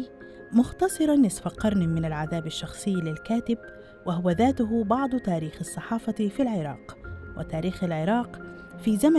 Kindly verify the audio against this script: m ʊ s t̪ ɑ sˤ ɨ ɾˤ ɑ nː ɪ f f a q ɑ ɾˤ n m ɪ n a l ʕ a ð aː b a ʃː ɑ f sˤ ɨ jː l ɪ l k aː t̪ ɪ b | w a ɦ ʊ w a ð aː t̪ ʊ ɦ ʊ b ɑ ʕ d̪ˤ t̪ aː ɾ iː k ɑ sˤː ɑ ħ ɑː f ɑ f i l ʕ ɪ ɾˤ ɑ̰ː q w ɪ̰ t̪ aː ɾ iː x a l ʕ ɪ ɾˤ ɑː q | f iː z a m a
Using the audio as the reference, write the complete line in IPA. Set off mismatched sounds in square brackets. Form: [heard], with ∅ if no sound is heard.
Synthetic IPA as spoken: m ʊ [x] t̪ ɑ sˤ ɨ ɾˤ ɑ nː ɪ [s] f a q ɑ ɾˤ n m ɪ n a l ʕ a ð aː b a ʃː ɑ [x] sˤ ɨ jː l ɪ l k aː t̪ ɪ b | w a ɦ ʊ w a ð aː t̪ ʊ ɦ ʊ b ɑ ʕ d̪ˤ t̪ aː ɾ iː [x] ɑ sˤː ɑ ħ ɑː f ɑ f i l ʕ ɪ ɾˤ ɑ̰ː q w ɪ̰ t̪ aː ɾ iː x a l ʕ ɪ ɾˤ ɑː q | f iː z a m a